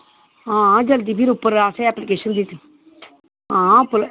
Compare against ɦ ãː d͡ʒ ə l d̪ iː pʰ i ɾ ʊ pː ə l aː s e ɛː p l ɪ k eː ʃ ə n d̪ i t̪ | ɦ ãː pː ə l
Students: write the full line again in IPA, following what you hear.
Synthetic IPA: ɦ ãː d͡ʒ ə l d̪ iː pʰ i ɾ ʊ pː ə ɾ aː s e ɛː p l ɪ k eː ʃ ə n d̪ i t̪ | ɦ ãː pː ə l